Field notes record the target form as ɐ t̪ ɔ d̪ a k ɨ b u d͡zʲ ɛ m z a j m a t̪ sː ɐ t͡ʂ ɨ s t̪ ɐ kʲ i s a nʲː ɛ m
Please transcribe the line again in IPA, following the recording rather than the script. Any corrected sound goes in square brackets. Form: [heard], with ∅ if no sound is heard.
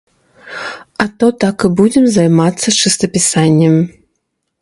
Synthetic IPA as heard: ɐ t̪ ɔ [t̪] a k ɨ b u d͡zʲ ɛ m z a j m a t̪ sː ɐ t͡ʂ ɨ s t̪ ɐ [pʲ] i s a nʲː ɛ m

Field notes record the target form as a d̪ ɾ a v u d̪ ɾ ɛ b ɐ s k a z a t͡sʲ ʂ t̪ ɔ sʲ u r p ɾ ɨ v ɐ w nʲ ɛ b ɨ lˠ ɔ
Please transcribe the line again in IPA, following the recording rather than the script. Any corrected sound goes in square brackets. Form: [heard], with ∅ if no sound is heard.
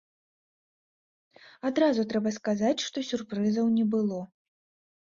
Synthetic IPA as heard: a d̪ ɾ a [z] u [t̪] ɾ ɛ b ɐ s k a z a t͡sʲ ʂ t̪ ɔ sʲ u r p ɾ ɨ [z] ɐ w nʲ ɛ b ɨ lˠ ɔ

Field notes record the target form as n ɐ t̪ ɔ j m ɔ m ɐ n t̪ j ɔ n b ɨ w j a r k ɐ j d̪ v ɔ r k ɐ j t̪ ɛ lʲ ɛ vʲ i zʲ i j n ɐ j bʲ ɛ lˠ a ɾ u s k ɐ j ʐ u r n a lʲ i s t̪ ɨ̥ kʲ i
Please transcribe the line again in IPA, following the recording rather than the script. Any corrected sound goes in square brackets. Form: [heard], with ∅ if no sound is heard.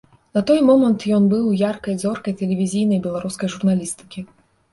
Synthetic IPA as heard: n ɐ t̪ ɔ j m ɔ m ɐ n t̪ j ɔ n b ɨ w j a r k ɐ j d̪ [z] ɔ r k ɐ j t̪ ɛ lʲ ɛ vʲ i zʲ i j n ɐ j bʲ ɛ lˠ a ɾ u s k ɐ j ʐ u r n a lʲ i s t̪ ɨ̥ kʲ i

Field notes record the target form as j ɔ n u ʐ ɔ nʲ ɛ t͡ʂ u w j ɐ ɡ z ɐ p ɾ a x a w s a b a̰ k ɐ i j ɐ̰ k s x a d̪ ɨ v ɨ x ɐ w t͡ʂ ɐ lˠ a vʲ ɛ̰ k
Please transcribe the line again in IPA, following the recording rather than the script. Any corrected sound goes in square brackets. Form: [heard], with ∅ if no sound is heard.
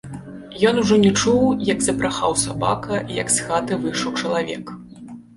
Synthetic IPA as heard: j ɔ n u ʐ ɔ nʲ ɛ t͡ʂ u w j ɐ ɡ z ɐ p ɾ a x a w s a b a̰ k ɐ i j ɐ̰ k s x a [t̪] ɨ v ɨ [ʂ] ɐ w t͡ʂ ɐ lˠ a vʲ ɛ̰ k

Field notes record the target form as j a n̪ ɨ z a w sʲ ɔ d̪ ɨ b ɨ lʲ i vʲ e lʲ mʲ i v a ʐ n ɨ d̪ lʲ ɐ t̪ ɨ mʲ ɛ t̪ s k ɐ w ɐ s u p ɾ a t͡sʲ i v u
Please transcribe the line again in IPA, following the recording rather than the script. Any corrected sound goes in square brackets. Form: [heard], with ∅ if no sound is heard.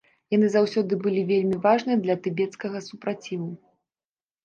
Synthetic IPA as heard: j a n̪ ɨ z a w sʲ ɔ d̪ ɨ b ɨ lʲ i vʲ e lʲ mʲ i v a ʐ n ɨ d̪ lʲ ɐ t̪ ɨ [bʲ] ɛ t̪ s k ɐ [ɣ] ɐ s u p ɾ a t͡sʲ i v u

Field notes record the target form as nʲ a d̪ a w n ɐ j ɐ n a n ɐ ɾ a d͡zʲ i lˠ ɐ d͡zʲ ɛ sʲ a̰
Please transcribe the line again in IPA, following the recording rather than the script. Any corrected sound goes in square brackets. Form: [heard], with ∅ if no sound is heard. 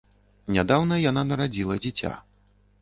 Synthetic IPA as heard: nʲ a d̪ a w n ɐ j [a] n a n ɐ ɾ a d͡zʲ i lˠ ɐ d͡zʲ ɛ [t͡sʲ] a̰

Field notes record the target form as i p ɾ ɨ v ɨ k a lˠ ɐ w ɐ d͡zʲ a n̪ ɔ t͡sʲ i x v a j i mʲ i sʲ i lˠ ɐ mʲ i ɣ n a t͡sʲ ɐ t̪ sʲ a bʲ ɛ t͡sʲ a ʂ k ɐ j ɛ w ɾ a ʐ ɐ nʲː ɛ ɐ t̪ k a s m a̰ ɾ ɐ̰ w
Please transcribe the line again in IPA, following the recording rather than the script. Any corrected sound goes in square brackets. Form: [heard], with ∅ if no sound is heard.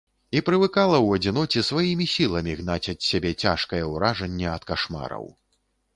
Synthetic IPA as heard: i p ɾ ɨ v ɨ k a lˠ ɐ w ɐ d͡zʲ [i] n̪ ɔ t͡sʲ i [s] v a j i mʲ i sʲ i lˠ ɐ mʲ i ɣ n a t͡sʲ ɐ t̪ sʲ a bʲ ɛ t͡sʲ a ʂ k ɐ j ɛ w ɾ a ʐ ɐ nʲː ɛ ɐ t̪ k a [ʂ] m a̰ ɾ ɐ̰ w

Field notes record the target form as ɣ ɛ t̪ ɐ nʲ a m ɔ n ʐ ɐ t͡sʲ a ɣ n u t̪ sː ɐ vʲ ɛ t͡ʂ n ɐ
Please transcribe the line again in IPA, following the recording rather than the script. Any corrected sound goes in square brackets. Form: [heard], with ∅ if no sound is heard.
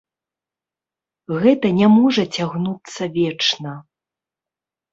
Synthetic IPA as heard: ɣ ɛ t̪ ɐ nʲ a m ɔ [∅] ʐ ɐ t͡sʲ a ɣ n u t̪ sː ɐ vʲ ɛ t͡ʂ n ɐ

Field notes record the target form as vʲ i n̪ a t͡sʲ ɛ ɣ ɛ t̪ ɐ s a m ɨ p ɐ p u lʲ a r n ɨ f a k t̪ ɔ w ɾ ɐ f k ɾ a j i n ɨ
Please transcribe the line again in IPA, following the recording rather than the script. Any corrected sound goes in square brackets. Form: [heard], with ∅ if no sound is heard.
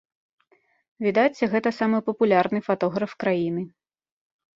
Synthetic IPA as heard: vʲ i [d̪] a t͡sʲ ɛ ɣ ɛ t̪ ɐ s a m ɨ p ɐ p u lʲ a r n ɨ f a [∅] t̪ ɔ [ɣ] ɾ ɐ f k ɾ a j i n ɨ

